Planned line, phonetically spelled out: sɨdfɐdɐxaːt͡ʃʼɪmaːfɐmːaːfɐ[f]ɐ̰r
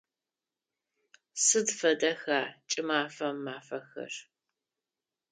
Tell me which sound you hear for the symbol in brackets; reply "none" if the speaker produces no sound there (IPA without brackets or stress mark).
x